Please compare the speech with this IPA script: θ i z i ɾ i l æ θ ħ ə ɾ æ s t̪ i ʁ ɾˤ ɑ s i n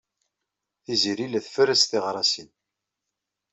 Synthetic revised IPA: θ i z i ɾ i l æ θ f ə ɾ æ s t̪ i ʁ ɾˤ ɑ s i n